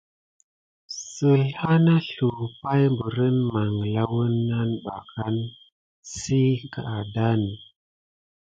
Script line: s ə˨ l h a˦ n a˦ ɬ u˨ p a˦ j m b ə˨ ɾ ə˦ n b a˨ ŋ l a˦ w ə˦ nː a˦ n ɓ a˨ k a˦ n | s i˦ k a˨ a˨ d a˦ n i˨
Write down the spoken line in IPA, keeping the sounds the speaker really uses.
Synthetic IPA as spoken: s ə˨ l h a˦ n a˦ ɬ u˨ p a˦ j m b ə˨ ɾ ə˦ n m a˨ ŋ l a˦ w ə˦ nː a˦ n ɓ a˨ k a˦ n | s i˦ k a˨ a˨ d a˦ n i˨